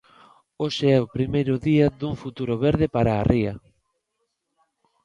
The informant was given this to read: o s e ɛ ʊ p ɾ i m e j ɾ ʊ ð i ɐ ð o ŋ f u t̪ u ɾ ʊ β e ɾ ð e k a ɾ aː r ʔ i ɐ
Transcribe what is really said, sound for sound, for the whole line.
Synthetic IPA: o ʃ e ɛ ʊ p ɾ i m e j ɾ ʊ ð i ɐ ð u ŋ f u t̪ u ɾ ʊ β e ɾ ð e p a ɾ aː r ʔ i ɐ